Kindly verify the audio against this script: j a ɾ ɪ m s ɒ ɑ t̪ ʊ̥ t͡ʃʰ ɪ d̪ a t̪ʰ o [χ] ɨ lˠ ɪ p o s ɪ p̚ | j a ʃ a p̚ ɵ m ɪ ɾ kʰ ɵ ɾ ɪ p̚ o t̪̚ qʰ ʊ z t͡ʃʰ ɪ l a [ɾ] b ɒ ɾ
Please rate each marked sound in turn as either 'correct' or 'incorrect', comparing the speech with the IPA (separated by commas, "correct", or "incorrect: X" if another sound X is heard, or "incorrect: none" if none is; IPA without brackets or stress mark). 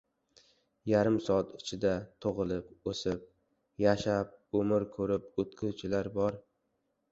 incorrect: ʁ, correct